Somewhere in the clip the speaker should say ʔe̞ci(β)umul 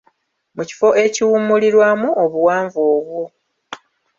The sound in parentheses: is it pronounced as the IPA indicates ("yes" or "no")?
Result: no